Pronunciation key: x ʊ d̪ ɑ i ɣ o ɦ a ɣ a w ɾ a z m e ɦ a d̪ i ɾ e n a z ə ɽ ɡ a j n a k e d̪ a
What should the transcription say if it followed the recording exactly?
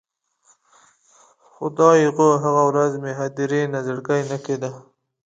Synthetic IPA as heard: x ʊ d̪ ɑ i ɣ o ɦ a ɣ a w ɾ a z m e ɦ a d̪ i ɾ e n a z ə ɽ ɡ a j n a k e d̪ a